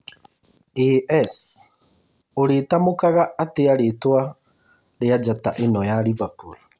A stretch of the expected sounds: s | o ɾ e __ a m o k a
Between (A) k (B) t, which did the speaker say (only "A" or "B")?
B